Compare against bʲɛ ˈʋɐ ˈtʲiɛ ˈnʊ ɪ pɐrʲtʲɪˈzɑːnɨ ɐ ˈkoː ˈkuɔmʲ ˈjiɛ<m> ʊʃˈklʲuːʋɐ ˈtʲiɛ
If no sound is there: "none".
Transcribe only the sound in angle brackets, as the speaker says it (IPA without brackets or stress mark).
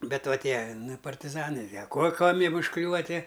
m